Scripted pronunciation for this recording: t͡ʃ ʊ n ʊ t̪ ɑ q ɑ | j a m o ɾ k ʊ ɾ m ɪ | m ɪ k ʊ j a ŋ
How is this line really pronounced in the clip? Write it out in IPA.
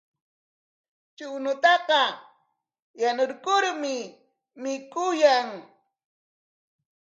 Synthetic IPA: t͡ʃ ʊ n ʊ t̪ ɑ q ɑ | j a n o ɾ k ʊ ɾ m ɪ | m ɪ k ʊ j a ŋ

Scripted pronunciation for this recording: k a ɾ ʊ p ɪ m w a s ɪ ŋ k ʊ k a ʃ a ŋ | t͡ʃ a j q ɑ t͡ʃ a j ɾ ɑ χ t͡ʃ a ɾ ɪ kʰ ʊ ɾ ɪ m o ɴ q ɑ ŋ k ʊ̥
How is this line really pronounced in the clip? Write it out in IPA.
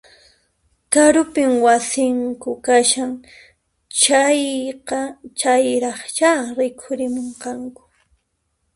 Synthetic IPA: k a ɾ ʊ p ɪ m w a s ɪ ŋ k ʊ k a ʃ a ŋ | t͡ʃ a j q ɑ t͡ʃ a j ɾ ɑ χ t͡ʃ a ɾ ɪ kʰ ʊ ɾ ɪ m o ɴ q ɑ ŋ k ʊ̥

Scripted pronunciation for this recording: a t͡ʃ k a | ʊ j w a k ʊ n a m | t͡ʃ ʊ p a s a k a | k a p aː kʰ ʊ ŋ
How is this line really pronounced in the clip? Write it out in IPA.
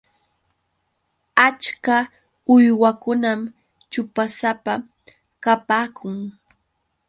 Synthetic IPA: a t͡ʃ k a | ʊ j w a k ʊ n a m | t͡ʃ ʊ p a s a p a | k a p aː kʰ ʊ ŋ

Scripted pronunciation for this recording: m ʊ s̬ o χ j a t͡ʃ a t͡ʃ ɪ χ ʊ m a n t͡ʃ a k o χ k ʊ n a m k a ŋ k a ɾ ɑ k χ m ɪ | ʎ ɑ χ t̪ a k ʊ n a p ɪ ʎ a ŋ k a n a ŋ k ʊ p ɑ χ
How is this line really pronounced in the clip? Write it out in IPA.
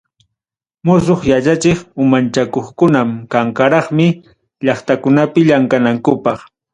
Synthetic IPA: m ʊ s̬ o χ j a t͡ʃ a t͡ʃ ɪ χ ʊ m a n t͡ʃ a k o χ k ʊ n a m k a ŋ k a ɾ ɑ χ m ɪ | ʎ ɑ χ t̪ a k ʊ n a p ɪ ʎ a ŋ k a n a ŋ k ʊ p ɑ χ

